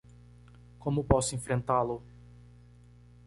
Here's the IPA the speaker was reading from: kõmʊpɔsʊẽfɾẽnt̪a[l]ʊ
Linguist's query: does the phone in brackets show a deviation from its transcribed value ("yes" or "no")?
no